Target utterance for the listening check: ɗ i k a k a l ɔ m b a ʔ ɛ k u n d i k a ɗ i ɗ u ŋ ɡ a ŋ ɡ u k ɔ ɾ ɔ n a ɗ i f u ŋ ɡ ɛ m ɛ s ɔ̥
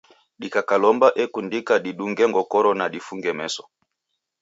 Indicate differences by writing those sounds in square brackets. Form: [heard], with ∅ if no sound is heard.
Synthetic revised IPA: ɗ i k a k a l ɔ m b a ʔ ɛ k u n d i k a ɗ i ɗ u ŋ ɡ [ɛ] ŋ ɡ [ɔ] k ɔ ɾ ɔ n a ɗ i f u ŋ ɡ ɛ m ɛ s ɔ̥